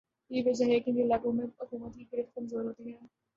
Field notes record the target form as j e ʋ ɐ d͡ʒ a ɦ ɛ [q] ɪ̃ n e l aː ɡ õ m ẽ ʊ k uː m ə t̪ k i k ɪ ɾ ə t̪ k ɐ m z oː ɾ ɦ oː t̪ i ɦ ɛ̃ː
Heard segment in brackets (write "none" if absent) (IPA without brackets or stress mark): k